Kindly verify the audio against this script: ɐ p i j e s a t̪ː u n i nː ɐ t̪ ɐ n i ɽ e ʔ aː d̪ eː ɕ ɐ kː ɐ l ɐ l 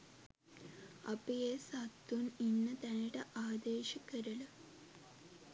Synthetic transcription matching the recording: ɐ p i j e s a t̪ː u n i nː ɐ t̪ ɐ n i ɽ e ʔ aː d̪ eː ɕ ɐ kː ɐ ɾ ɐ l

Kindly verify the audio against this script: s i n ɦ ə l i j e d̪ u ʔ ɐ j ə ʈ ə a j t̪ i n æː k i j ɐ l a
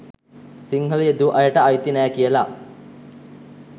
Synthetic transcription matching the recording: s i ŋ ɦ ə l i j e d̪ u ʔ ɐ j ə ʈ ə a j t̪ i n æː k i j ə l a

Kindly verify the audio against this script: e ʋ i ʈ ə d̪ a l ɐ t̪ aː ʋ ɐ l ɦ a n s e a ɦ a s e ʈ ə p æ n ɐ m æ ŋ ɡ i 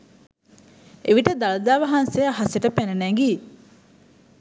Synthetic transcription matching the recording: e ʋ i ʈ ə d̪ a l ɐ d̪ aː ʋ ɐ ɦ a n s e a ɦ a s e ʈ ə p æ n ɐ n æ ŋ ɡ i

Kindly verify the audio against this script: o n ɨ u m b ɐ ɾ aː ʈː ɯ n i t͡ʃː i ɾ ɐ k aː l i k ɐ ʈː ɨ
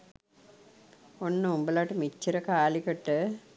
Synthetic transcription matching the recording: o nː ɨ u m b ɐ l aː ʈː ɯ m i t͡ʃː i ɾ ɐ k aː l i k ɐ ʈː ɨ

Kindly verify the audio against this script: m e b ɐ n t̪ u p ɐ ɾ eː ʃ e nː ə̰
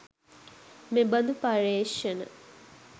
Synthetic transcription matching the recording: m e b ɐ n d̪ u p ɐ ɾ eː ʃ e n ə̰

